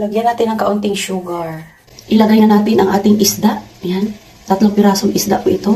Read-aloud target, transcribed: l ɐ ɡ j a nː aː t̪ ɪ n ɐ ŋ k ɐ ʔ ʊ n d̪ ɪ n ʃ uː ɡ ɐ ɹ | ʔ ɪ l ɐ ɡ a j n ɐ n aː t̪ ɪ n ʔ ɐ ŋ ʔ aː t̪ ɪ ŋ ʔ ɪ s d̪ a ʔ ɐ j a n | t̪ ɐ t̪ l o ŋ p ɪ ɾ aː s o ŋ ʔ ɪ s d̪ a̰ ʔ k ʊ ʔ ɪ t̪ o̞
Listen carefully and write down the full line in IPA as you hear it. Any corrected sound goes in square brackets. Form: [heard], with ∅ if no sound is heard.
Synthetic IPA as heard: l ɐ ɡ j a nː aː t̪ ɪ n ɐ ŋ k ɐ ʔ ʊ n [t̪] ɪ [ŋ] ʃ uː ɡ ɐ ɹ | ʔ ɪ l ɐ ɡ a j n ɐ n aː t̪ ɪ n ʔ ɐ ŋ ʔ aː t̪ ɪ ŋ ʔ ɪ s d̪ a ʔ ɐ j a n | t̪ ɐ t̪ l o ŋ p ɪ ɾ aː s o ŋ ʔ ɪ s d̪ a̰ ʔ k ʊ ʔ ɪ t̪ o̞

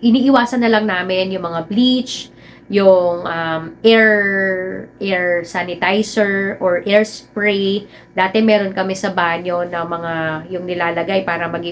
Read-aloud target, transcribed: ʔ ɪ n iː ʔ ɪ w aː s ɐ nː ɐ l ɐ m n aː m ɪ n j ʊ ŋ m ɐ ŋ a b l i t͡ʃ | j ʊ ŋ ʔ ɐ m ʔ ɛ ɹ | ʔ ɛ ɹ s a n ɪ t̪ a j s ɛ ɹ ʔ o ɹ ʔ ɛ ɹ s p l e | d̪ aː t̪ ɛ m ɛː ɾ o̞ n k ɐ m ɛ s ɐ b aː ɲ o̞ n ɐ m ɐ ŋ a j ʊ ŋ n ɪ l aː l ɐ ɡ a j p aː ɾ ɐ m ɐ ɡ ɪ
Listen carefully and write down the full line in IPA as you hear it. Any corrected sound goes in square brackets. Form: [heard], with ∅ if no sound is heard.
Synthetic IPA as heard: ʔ ɪ n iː ʔ ɪ w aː s ɐ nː ɐ l ɐ [ŋ] n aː m ɪ n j ʊ ŋ m ɐ ŋ a b l i t͡ʃ | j ʊ ŋ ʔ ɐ m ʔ ɛ ɹ | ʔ ɛ ɹ s a n ɪ t̪ a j s ɛ ɹ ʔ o ɹ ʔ ɛ ɹ s p [ɹ] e | d̪ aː t̪ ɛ m ɛː ɾ o̞ n k ɐ m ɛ s ɐ b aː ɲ o̞ n ɐ m ɐ ŋ a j ʊ ŋ n ɪ l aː l ɐ ɡ a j p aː ɾ ɐ m ɐ ɡ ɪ

